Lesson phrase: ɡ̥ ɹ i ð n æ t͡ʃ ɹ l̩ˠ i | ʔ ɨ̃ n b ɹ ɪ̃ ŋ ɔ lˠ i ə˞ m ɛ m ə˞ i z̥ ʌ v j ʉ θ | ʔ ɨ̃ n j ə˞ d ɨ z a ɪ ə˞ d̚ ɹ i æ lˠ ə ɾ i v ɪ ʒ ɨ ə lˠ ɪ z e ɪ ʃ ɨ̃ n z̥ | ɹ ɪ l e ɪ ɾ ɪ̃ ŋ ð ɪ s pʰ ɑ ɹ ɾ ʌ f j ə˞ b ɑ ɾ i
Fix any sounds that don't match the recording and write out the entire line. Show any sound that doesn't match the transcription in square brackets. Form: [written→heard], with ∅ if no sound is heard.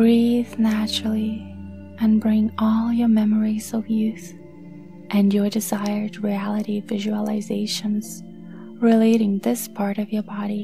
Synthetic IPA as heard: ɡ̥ ɹ i ð n æ t͡ʃ ɹ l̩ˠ i | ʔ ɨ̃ n b ɹ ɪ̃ ŋ ɔ lˠ [i→j] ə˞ m ɛ m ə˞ i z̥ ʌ v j ʉ θ | ʔ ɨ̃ n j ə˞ d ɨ z a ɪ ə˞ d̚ ɹ i æ lˠ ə ɾ i v ɪ ʒ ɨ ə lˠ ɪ z e ɪ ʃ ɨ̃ n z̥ | ɹ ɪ l e ɪ ɾ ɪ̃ ŋ ð ɪ s pʰ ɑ ɹ ɾ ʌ [f→v] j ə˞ b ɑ ɾ i